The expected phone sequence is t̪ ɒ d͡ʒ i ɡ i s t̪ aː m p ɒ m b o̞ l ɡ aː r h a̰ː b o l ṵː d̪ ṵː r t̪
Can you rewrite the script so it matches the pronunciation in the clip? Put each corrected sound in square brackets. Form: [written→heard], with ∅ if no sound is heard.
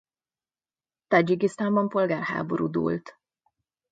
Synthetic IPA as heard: t̪ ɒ d͡ʒ i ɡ i s t̪ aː m [p→b] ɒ m [b→p] o̞ l ɡ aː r h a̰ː b o [l→ɾ] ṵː d̪ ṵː [r→l] t̪

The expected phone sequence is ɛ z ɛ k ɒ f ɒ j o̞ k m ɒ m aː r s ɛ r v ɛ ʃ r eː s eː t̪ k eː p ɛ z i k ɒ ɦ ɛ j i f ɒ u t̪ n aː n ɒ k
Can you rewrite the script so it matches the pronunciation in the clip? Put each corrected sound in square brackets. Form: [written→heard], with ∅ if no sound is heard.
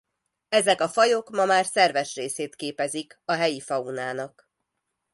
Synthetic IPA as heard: ɛ z ɛ k ɒ f ɒ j o̞ k m ɒ m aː r s ɛ r v ɛ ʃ r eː s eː t̪ k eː p ɛ z i k ɒ ɦ ɛ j i f ɒ u [t̪→∅] n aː n ɒ k

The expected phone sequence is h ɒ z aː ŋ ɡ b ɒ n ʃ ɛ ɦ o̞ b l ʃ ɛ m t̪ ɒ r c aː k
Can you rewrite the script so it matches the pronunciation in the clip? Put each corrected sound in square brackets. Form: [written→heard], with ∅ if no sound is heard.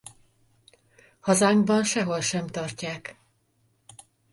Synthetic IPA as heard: h ɒ z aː ŋ ɡ b ɒ n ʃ ɛ ɦ o̞ [b→∅] l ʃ ɛ m t̪ ɒ r c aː k

